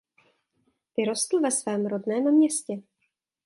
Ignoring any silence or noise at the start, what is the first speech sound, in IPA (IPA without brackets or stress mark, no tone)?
v